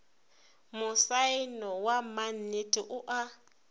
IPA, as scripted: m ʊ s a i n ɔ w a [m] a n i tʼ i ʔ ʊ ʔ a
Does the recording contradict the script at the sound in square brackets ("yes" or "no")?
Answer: no